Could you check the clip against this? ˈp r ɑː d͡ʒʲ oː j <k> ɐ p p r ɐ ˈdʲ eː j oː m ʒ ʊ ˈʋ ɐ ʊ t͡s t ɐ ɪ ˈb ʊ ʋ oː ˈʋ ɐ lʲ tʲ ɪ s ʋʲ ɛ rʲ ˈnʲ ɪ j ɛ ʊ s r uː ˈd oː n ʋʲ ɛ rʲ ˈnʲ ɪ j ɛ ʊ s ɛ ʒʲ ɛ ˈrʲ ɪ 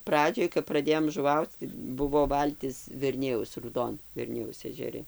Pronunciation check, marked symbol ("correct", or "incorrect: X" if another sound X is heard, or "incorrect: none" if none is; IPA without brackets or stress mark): correct